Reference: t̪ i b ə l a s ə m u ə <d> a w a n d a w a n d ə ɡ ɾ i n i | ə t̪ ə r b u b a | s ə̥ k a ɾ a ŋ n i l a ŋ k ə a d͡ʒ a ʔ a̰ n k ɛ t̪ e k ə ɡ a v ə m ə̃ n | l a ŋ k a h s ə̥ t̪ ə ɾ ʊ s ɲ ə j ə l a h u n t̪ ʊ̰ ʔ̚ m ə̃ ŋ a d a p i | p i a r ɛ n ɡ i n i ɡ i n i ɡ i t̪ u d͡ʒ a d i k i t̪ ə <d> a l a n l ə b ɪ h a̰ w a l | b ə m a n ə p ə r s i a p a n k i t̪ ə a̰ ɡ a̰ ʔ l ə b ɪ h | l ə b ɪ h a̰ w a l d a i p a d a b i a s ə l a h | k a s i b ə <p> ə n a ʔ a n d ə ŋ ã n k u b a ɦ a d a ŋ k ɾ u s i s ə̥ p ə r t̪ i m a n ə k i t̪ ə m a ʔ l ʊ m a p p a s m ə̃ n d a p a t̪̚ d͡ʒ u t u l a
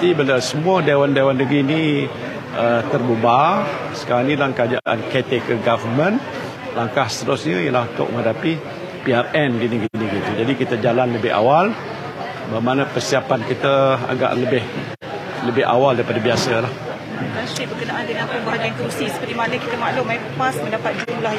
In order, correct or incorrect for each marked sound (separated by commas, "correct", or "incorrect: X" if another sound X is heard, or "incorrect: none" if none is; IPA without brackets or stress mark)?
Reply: correct, incorrect: d͡ʒ, incorrect: k